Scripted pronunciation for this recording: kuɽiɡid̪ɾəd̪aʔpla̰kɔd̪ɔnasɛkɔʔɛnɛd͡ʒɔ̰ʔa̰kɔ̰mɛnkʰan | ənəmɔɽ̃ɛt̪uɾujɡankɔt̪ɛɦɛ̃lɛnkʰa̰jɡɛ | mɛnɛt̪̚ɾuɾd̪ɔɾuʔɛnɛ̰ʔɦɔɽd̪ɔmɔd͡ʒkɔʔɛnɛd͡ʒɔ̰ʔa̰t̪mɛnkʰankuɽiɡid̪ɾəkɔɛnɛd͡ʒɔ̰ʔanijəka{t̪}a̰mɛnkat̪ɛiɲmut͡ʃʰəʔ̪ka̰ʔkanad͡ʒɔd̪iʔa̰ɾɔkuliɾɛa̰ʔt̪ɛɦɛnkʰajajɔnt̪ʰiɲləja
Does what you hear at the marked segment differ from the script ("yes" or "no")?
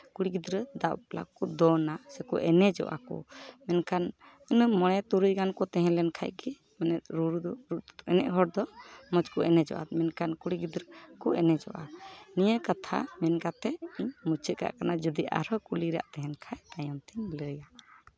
yes